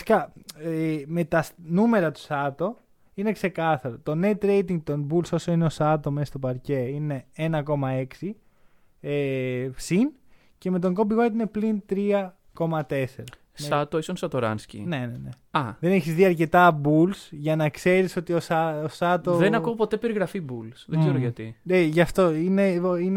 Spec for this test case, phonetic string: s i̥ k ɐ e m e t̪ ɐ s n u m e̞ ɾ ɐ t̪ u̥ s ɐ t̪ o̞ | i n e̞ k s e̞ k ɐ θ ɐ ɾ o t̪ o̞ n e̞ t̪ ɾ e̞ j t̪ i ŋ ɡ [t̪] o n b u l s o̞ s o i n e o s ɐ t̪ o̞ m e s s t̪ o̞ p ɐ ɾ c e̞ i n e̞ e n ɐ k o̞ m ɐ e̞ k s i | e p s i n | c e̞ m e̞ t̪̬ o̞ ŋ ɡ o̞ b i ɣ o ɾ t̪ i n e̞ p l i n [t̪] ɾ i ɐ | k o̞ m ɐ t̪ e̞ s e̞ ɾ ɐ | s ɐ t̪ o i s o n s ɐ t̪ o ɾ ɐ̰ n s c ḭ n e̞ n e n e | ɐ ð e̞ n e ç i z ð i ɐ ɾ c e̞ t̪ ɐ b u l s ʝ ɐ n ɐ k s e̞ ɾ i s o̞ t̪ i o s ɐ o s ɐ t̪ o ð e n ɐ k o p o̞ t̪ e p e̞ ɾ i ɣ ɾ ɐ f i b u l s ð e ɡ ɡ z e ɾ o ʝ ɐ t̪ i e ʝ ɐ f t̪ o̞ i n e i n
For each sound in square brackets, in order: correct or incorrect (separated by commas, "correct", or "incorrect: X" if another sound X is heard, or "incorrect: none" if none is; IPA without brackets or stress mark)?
correct, correct